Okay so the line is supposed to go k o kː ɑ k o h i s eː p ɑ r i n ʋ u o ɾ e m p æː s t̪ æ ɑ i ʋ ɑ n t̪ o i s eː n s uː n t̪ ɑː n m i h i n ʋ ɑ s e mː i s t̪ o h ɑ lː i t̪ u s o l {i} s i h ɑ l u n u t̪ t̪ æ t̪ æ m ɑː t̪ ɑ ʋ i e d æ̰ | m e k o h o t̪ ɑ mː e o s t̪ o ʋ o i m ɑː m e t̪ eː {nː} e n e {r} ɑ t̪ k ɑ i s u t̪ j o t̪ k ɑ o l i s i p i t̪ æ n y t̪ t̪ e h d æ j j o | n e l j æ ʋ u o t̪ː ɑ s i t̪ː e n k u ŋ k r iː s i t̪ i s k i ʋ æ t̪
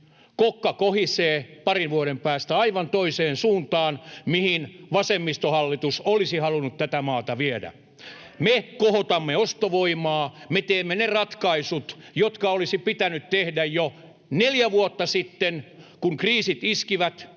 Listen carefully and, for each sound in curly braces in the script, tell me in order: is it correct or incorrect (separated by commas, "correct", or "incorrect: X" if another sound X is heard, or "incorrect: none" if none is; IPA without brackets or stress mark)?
correct, incorrect: mː, correct